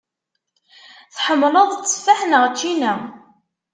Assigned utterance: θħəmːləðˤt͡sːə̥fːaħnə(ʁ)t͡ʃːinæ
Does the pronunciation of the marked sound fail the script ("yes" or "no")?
no